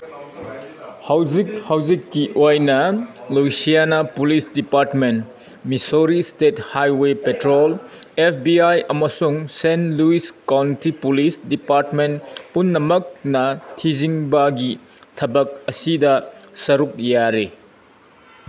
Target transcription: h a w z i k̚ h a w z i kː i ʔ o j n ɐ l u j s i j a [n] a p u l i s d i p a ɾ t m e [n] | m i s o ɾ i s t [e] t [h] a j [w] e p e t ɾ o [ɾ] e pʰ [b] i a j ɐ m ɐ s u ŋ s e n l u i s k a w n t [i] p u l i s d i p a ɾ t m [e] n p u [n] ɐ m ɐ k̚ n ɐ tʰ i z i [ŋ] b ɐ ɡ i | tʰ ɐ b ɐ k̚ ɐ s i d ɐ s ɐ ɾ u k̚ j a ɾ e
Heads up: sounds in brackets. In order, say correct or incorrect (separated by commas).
correct, correct, correct, correct, correct, incorrect, correct, correct, correct, incorrect, correct